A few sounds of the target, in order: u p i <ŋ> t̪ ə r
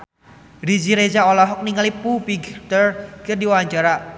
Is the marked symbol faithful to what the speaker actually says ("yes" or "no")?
no